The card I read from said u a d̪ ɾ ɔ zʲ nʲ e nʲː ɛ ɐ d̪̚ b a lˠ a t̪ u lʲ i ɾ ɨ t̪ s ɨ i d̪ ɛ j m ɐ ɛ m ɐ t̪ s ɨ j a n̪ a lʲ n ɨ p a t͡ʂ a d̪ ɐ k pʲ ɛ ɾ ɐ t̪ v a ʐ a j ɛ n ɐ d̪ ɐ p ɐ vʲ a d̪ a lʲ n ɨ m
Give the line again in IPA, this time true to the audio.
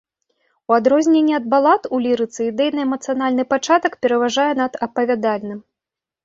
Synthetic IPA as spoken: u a d̪ ɾ ɔ zʲ nʲ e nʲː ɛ ɐ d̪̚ b a lˠ a t̪ u lʲ i ɾ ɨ t̪ s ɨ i d̪ ɛ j n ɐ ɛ m ɐ t̪ s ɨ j a n̪ a lʲ n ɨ p a t͡ʂ a t̪ ɐ k pʲ ɛ ɾ ɐ v a ʐ a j ɛ n ɐ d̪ ɐ p ɐ vʲ a d̪ a lʲ n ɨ m